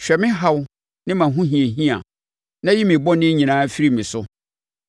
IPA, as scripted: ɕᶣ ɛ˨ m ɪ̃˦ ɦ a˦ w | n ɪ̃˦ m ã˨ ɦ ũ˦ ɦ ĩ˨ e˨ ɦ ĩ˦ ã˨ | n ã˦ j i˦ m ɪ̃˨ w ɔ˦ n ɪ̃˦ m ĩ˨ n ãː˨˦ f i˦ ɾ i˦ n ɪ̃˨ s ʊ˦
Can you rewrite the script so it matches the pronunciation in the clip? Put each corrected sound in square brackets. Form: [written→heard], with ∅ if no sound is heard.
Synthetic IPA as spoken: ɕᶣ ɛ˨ m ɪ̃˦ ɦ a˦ w | n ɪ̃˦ m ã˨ ɦ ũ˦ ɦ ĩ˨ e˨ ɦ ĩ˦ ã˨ | n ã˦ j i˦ m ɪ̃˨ [w→b] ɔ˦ n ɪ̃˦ [m→ɲ] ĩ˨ n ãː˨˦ f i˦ ɾ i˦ [n→m] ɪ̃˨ s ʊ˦